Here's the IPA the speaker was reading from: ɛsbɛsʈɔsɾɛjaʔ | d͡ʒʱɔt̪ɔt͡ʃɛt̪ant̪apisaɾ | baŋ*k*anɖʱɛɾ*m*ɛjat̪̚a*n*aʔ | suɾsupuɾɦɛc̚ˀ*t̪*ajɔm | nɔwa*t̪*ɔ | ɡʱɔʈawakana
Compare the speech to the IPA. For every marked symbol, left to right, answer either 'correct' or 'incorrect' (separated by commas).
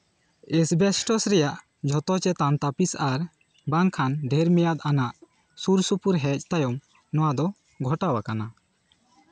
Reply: incorrect, correct, correct, correct, incorrect